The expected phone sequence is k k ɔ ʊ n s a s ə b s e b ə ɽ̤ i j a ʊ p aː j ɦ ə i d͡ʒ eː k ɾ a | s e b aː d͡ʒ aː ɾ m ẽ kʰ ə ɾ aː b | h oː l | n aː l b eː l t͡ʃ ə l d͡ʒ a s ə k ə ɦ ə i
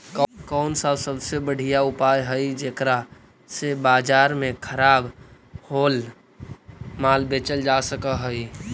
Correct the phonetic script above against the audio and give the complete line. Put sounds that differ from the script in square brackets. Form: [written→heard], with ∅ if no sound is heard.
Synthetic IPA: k k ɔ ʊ n s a s ə b s e b ə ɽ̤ i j a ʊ p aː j ɦ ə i d͡ʒ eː k ɾ a | s e b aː d͡ʒ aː ɾ m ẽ kʰ ə ɾ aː b | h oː l | [n→m] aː l b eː [l→∅] t͡ʃ ə l d͡ʒ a s ə k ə ɦ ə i